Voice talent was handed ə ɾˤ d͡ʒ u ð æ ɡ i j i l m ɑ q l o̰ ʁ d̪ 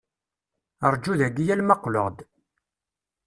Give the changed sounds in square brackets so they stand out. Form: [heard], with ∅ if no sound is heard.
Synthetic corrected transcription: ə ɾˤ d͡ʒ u ð æ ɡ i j [æ] l m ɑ q l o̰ ʁ d̪